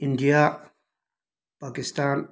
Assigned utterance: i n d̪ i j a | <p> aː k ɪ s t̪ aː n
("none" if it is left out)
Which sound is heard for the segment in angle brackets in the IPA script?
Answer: p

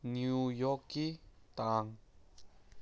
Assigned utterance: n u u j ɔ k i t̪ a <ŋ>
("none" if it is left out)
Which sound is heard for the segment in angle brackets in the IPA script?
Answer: ŋ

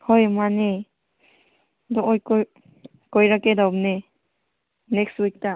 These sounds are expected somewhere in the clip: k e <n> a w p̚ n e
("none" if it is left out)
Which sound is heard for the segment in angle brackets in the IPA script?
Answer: d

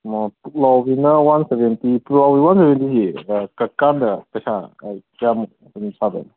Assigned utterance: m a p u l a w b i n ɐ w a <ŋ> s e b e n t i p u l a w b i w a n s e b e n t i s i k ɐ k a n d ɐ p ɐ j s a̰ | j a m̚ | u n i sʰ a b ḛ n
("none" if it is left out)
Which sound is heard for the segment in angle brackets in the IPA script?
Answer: n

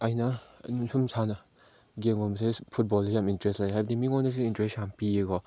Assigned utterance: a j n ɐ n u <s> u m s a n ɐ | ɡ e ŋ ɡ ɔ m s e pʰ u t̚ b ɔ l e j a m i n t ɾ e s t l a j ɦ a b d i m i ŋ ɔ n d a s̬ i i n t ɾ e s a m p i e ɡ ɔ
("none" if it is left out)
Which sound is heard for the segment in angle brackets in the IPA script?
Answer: s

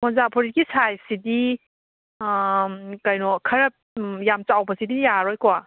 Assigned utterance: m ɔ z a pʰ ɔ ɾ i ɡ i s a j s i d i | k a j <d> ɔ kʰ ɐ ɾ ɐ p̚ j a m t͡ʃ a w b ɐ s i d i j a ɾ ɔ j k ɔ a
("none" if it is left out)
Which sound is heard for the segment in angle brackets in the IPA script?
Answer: n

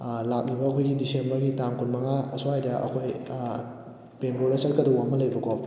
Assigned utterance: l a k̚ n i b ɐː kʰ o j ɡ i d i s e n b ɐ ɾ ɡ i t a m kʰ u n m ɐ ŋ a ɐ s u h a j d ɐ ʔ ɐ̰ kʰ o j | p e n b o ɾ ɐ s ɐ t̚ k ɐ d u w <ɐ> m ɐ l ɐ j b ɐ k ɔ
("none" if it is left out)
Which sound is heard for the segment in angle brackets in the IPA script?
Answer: a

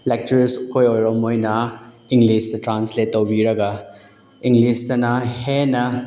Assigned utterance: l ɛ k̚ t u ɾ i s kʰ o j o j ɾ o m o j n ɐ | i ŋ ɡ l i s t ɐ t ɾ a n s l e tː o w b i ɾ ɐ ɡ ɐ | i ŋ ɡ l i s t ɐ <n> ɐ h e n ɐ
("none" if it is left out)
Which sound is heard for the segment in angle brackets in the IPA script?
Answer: n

